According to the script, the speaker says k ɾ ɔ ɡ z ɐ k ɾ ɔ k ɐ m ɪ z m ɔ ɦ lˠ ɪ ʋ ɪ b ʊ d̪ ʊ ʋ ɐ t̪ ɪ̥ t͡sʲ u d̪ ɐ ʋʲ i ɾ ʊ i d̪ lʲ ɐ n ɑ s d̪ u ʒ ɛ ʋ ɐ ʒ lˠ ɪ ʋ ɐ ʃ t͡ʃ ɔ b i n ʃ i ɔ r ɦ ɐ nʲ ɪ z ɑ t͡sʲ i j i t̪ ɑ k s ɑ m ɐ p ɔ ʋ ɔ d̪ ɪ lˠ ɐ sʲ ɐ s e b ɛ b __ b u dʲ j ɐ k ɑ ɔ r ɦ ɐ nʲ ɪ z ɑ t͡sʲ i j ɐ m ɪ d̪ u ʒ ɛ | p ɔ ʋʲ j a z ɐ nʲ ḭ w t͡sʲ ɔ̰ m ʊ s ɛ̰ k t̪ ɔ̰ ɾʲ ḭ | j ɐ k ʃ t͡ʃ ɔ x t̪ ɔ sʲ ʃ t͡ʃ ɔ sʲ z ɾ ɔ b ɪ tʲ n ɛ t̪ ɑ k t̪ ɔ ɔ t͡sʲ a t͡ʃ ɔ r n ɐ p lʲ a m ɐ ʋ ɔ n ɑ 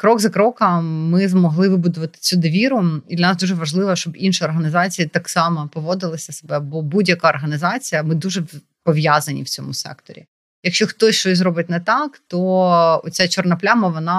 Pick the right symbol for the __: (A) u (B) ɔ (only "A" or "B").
B